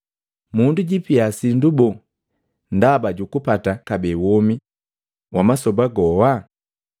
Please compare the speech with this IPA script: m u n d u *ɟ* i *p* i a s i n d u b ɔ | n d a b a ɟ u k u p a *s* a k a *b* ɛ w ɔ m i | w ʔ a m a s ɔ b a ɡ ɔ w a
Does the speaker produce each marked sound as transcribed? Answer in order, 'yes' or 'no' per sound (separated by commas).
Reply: yes, yes, no, yes